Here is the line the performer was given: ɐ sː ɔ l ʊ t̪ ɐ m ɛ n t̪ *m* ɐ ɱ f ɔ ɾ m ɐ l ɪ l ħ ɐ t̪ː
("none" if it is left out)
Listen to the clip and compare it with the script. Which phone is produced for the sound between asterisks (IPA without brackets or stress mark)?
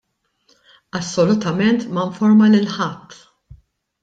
m